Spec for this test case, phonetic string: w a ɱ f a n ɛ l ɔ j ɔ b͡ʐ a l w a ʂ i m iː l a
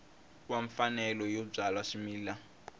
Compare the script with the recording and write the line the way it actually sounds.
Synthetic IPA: w a ɱ f a n ɛ l ɔ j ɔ b͡ʐ a l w a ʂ i m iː l a